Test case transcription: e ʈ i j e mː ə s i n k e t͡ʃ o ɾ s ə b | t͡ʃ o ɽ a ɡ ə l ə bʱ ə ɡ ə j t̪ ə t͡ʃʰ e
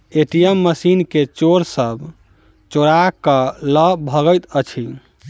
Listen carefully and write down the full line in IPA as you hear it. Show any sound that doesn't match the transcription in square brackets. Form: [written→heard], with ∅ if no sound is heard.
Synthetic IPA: e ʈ i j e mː ə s i n k e t͡ʃ o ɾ s ə b | t͡ʃ o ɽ a [ɡ→k] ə l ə bʱ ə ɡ ə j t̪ ə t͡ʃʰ [e→i]